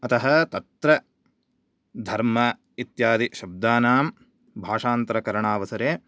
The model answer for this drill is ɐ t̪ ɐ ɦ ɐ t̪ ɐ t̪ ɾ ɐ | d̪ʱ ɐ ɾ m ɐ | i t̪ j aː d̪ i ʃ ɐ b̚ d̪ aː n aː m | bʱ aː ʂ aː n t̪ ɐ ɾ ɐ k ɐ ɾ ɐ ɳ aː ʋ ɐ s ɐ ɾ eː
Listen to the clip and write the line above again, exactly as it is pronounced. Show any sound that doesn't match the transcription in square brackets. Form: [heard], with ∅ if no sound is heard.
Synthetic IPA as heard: ɐ t̪ ɐ ɦ ɐ t̪ ɐ t̪ ɾ ɐ | d̪ʱ ɐ ɾ m ɐ | i t̪ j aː d̪ i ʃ ɐ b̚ d̪ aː n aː m | bʱ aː ʂ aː n t̪ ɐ ɾ ɐ k ɐ ɾ ɐ ɳ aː ʋ ɐ s ɐ ɾ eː